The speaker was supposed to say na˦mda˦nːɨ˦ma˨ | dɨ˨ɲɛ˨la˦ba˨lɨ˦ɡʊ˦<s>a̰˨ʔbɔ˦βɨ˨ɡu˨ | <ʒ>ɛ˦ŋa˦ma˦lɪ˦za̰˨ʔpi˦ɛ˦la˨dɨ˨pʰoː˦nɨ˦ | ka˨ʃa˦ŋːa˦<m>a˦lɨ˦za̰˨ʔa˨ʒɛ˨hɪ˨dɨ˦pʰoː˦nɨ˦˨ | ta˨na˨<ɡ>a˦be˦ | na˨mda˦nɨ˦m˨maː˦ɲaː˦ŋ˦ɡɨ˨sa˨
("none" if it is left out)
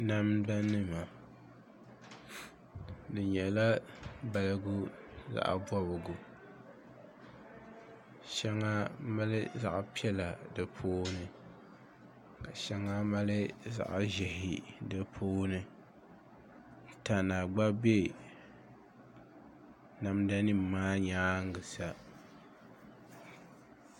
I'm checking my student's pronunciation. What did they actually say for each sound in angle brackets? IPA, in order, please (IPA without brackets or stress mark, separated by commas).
z, ʃ, m, ɡ͡b